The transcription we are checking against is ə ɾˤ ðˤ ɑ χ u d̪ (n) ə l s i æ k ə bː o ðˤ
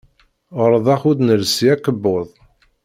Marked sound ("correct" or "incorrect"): correct